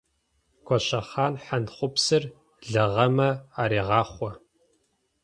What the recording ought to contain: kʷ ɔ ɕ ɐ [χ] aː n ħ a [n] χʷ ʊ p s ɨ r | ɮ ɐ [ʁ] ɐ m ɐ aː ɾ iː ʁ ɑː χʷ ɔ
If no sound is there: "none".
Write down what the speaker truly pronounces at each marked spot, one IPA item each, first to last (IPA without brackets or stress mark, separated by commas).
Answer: χ, n, ʁ